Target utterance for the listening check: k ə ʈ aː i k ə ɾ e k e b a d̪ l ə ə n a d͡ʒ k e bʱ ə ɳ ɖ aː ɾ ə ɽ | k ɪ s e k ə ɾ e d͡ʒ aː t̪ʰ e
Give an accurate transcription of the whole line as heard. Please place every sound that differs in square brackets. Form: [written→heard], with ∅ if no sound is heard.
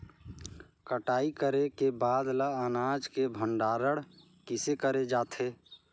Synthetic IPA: k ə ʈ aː i k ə ɾ e k e b a d̪ l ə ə n a d͡ʒ k e bʱ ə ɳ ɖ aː ɾ ə ɽ | k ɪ s e k ə ɾ e d͡ʒ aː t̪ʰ e